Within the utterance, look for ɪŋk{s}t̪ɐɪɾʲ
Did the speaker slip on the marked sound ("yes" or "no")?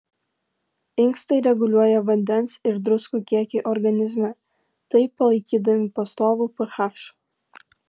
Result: no